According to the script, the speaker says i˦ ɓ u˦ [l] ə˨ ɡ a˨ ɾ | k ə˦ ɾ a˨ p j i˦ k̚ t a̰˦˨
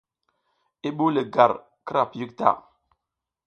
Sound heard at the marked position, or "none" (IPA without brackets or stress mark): l